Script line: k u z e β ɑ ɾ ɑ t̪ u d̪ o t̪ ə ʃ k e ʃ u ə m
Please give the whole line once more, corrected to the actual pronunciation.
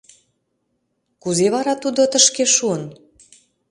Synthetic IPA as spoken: k u z e β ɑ ɾ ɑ t̪ u d̪ o t̪ ə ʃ k e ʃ u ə n